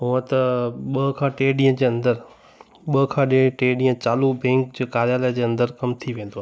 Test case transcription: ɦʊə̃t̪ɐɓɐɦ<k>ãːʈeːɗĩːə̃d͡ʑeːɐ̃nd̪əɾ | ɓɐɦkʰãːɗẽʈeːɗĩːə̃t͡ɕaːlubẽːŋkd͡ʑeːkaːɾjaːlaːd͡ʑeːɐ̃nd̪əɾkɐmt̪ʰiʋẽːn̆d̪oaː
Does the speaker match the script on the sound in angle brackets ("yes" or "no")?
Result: no